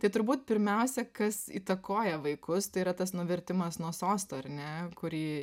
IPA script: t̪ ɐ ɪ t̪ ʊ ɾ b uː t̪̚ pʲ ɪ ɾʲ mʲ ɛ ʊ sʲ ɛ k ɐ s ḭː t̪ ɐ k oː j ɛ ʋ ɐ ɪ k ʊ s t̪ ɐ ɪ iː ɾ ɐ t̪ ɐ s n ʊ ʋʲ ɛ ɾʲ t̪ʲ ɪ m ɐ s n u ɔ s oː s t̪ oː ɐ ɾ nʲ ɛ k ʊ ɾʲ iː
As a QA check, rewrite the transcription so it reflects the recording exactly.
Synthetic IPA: t̪ ɐ ɪ t̪ ʊ ɾ b uː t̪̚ pʲ ɪ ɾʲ mʲ ɛ ʊ sʲ ɛ k ɐ s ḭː t̪ ɐ k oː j ɛ ʋ ɐ ɪ k ʊ s t̪ ɐ ɪ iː ɾ ɐ t̪ ɐ s n ʊ ʋʲ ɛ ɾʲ t̪ʲ ɪ m ɐ s n u ɔ s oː s t̪ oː ɐ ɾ nʲ ɛ k ʊ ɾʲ iː